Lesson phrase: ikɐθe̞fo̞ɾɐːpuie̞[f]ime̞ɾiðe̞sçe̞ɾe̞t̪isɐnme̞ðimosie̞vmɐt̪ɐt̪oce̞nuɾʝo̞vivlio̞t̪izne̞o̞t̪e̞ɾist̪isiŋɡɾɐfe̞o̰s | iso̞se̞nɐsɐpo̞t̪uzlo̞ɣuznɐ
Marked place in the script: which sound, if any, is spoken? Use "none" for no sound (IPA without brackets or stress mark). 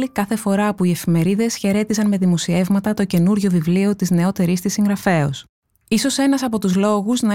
f